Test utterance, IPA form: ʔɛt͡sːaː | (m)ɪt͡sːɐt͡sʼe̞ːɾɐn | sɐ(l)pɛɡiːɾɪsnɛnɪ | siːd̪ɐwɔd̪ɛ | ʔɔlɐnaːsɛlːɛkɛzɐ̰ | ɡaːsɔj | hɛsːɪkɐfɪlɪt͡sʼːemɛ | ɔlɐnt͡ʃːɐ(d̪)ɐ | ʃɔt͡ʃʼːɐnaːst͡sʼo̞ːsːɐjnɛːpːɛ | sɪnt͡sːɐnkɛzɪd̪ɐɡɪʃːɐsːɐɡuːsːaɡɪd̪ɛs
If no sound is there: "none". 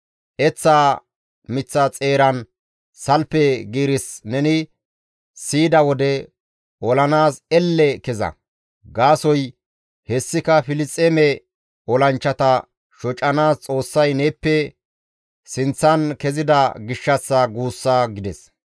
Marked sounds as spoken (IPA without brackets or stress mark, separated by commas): m, l, t̪